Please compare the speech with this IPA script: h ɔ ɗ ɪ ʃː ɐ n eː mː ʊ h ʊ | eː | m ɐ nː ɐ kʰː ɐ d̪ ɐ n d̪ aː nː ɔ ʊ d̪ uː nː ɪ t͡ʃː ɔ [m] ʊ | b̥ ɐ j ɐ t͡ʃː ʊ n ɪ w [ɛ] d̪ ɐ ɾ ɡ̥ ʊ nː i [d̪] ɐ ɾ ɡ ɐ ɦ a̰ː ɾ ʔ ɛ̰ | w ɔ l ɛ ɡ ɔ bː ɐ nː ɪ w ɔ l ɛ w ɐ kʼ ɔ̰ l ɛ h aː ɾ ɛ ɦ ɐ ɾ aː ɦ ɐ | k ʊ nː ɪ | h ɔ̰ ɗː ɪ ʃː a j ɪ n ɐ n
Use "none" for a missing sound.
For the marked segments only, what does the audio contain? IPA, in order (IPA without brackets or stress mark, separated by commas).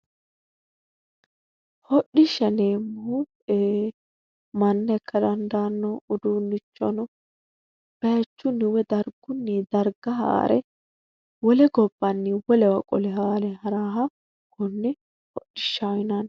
n, ɛ, d̪